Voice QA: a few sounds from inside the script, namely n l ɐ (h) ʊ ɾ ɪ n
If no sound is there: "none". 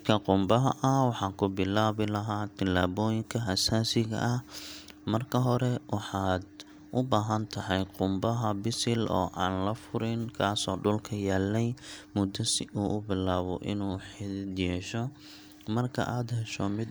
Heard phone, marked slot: f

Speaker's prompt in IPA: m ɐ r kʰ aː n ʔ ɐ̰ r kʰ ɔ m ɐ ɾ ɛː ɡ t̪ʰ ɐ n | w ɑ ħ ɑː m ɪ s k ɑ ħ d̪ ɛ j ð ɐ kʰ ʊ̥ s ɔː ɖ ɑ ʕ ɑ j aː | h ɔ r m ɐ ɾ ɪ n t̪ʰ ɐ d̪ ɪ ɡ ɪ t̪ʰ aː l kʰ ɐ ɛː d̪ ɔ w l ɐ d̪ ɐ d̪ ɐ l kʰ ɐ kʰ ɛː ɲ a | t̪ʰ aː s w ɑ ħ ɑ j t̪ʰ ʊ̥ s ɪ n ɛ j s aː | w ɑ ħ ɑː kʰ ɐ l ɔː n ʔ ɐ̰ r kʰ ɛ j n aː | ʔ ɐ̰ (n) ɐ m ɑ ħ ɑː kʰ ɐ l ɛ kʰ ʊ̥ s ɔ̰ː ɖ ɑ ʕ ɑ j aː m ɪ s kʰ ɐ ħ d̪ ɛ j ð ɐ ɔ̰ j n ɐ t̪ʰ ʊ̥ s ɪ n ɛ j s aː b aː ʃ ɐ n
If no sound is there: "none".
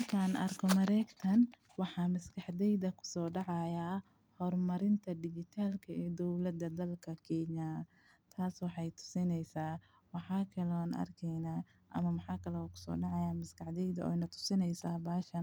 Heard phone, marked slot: m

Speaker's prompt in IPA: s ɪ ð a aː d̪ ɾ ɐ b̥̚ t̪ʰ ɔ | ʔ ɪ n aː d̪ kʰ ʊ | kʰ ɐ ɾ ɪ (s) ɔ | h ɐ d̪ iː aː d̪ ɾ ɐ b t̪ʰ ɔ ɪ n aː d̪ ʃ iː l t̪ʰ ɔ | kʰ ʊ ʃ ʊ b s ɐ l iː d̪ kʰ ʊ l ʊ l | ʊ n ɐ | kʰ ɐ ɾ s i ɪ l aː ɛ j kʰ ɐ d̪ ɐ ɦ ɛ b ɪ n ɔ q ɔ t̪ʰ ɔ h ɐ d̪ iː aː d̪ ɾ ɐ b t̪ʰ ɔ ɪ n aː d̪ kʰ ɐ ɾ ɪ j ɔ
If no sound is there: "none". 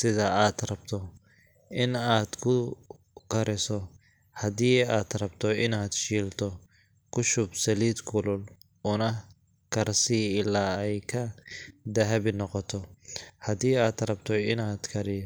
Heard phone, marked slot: s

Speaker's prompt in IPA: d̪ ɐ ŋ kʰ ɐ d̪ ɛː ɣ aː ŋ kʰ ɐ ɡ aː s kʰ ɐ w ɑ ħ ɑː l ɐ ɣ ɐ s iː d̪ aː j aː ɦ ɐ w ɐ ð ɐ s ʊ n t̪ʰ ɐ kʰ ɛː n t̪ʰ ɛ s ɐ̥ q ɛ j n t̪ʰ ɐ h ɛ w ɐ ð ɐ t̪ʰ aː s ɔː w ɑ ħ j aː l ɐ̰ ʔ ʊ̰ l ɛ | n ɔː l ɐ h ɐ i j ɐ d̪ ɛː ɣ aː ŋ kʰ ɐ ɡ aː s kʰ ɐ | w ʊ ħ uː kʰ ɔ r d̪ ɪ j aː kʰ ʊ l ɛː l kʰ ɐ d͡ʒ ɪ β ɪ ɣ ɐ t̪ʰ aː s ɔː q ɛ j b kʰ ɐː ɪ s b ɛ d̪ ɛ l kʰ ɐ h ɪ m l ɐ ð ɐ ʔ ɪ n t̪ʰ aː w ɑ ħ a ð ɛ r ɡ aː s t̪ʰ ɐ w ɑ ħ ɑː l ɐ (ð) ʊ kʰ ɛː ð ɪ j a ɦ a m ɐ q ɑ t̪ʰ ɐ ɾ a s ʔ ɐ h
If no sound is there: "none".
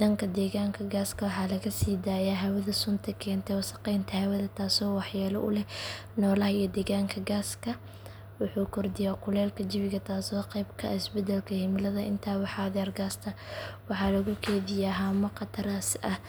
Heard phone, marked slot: ɣ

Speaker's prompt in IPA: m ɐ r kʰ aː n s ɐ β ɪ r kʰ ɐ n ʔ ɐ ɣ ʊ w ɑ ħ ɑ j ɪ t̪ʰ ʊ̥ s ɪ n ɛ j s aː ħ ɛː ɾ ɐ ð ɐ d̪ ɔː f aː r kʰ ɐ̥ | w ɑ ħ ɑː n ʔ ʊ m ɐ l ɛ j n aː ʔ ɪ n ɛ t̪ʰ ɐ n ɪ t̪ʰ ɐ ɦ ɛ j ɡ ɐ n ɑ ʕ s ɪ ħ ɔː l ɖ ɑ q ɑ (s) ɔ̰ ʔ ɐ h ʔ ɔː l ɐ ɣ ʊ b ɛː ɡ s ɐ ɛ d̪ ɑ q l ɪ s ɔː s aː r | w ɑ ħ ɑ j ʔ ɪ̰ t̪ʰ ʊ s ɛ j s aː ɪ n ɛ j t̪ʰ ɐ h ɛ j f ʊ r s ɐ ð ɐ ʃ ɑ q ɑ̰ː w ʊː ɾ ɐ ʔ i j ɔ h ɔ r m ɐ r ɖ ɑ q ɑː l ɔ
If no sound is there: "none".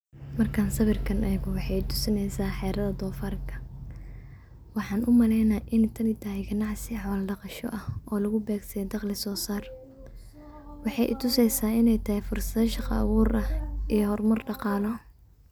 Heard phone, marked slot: ʃ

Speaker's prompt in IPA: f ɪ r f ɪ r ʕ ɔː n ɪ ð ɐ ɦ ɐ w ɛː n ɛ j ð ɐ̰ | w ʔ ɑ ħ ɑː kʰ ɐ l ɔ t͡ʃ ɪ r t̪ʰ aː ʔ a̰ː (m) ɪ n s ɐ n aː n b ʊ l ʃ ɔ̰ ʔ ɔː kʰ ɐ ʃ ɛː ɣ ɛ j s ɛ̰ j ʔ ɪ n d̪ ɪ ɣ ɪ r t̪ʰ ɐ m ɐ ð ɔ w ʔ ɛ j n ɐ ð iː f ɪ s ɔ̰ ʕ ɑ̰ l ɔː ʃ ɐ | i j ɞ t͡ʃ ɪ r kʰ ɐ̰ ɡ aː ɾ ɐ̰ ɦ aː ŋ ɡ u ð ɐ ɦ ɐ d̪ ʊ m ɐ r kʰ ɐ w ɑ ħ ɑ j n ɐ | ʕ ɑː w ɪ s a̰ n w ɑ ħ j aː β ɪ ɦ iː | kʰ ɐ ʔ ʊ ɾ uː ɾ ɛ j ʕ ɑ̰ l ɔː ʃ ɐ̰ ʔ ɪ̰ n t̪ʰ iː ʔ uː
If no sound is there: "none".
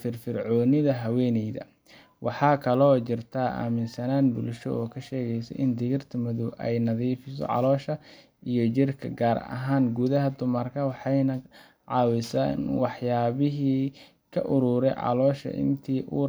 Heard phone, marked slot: m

